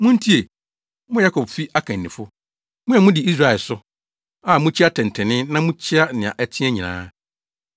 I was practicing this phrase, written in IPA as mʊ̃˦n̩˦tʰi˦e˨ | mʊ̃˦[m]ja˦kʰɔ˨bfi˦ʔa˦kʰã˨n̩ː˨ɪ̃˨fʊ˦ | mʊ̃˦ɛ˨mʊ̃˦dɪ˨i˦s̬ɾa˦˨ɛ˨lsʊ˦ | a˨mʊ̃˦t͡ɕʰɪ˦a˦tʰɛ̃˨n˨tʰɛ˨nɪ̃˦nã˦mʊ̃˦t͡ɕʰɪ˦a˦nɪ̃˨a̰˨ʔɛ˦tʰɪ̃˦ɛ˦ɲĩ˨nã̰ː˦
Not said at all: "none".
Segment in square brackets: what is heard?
none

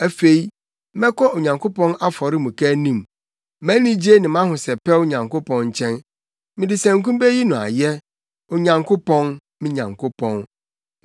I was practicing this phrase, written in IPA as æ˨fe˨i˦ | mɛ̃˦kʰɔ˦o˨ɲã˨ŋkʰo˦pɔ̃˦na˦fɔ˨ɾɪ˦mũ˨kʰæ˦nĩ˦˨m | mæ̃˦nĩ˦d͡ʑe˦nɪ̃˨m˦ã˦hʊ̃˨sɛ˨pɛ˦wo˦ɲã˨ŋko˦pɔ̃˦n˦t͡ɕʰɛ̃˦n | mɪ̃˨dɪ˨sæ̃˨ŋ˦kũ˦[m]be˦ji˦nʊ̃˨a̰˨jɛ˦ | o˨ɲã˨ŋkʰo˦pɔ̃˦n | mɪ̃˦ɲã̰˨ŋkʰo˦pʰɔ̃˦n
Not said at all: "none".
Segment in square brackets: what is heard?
m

